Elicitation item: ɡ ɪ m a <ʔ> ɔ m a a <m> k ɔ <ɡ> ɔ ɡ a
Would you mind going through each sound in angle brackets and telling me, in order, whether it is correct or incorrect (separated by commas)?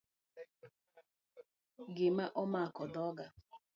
correct, incorrect, incorrect